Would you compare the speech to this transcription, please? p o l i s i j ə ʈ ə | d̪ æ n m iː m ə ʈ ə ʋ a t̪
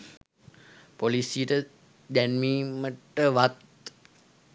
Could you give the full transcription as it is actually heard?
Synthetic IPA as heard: p o l i s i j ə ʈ ə | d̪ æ n m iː m ə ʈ ə ʋ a t̪